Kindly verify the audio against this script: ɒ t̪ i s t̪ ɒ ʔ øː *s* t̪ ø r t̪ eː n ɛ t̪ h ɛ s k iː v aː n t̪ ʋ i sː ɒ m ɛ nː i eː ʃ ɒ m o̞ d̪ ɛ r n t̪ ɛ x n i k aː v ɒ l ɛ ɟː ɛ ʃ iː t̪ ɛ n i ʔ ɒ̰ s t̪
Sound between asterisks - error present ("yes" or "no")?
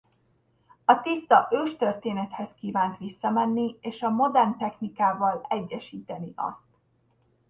yes